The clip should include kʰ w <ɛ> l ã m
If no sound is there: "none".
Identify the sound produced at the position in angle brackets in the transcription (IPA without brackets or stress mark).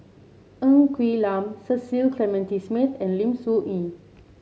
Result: i